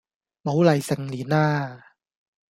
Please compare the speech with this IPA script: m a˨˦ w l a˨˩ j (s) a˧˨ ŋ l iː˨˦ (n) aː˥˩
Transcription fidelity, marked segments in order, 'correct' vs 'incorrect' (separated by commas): correct, correct